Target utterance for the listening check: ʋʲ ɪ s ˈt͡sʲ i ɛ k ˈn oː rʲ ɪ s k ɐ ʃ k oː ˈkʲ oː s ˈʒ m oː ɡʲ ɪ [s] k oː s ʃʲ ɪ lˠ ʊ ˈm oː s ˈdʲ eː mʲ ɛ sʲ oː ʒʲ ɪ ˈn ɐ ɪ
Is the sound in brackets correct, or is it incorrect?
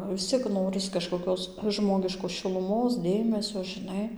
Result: incorrect